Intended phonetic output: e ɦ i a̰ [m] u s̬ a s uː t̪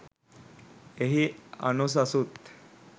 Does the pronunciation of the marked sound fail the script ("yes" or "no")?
yes